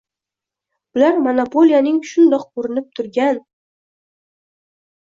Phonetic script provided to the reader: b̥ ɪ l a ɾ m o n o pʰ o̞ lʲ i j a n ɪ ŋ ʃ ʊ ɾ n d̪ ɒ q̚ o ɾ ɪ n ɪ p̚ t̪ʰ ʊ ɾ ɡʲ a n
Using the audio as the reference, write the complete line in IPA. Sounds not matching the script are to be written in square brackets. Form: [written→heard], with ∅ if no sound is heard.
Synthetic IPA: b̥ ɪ l a ɾ m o n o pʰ o̞ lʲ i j a n ɪ ŋ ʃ ʊ [ɾ→∅] n d̪ ɒ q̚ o ɾ ɪ n ɪ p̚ t̪ʰ ʊ ɾ ɡʲ a n